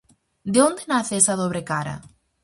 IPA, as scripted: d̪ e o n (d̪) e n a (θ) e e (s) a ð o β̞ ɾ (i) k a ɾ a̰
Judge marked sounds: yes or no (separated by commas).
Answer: yes, yes, yes, no